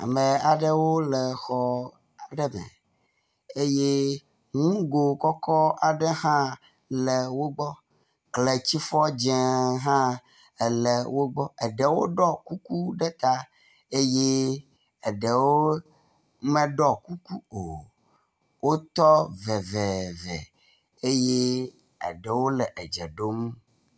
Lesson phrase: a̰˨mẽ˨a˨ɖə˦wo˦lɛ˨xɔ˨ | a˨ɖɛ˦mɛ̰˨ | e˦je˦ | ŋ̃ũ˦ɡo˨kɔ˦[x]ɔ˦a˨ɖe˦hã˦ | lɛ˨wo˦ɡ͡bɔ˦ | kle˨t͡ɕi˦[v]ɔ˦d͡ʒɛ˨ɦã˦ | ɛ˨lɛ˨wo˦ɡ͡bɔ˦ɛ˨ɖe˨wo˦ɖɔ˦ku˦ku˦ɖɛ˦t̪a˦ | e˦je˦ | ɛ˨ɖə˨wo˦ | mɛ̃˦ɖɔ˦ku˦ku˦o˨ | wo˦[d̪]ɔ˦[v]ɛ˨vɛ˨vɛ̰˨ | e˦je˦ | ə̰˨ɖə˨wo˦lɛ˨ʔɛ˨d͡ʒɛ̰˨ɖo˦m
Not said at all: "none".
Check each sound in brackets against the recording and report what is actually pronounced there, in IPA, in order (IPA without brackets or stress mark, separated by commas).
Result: k, f, t̪, v